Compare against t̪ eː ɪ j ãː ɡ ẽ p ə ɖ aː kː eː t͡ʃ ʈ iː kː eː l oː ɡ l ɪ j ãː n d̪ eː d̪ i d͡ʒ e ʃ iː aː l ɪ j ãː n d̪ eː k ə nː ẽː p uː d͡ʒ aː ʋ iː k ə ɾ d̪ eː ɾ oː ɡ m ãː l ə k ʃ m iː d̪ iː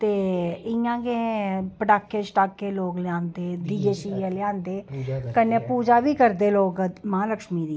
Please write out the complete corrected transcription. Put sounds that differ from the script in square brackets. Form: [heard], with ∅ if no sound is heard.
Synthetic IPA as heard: t̪ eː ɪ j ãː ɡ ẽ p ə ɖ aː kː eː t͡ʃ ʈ [aː] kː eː l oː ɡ l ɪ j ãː n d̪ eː d̪ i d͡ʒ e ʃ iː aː l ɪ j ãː n d̪ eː k ə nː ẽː p uː d͡ʒ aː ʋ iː k ə ɾ d̪ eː [l] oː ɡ m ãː l ə k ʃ m iː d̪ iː